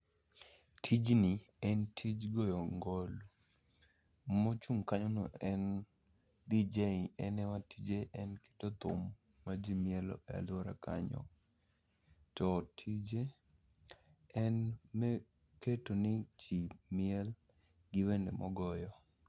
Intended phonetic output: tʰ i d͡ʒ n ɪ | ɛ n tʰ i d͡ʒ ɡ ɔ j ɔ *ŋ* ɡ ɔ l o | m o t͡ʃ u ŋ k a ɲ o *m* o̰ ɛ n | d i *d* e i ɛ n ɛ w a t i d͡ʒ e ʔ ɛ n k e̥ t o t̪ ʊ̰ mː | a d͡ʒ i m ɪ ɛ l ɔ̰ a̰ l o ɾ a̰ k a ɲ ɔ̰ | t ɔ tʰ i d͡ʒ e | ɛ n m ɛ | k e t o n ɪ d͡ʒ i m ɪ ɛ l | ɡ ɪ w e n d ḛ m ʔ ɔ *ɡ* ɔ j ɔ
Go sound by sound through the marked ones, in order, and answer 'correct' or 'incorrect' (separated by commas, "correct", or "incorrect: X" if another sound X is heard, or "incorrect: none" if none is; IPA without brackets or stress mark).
correct, incorrect: n, incorrect: d͡ʒ, correct